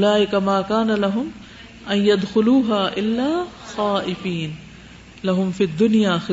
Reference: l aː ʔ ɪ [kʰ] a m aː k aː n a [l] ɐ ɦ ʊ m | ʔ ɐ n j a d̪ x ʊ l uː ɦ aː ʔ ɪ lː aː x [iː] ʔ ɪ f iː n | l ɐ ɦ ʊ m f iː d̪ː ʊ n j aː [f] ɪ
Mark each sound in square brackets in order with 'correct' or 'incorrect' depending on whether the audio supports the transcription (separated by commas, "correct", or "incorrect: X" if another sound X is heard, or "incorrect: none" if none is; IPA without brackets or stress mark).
incorrect: k, correct, incorrect: aː, incorrect: x